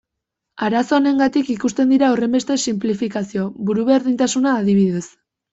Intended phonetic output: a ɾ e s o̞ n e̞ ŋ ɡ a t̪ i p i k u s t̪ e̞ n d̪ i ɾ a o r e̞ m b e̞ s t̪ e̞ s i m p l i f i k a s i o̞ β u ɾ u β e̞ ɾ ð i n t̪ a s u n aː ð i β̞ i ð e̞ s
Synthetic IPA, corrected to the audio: a ɾ a s o̞ n e̞ ŋ ɡ a t̪ i k i k u s t̪ e̞ n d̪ i ɾ a o r e̞ m b e̞ s t̪ e̞ s i m p l i f i k a s i o̞ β u ɾ u β e̞ ɾ ð i n t̪ a s u n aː ð i β̞ i ð e̞ s